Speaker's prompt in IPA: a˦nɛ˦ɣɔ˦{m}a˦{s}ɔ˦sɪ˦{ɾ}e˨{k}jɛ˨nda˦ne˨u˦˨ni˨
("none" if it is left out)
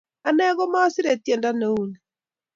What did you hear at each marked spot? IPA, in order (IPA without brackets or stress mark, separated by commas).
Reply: m, none, ɾ, t